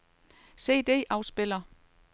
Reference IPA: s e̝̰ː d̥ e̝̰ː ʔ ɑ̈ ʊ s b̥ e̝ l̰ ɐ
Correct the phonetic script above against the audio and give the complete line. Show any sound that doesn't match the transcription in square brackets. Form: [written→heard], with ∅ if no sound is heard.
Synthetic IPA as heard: s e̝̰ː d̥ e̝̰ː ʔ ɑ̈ ʊ s b̥ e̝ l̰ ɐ